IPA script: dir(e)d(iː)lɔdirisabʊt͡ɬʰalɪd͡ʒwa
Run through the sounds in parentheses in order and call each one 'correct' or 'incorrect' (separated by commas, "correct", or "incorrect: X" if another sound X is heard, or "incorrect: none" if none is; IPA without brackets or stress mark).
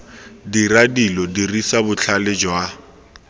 incorrect: a, incorrect: i